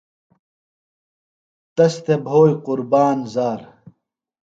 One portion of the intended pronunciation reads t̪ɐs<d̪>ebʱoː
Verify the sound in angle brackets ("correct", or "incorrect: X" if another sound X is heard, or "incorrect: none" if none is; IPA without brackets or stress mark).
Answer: incorrect: t̪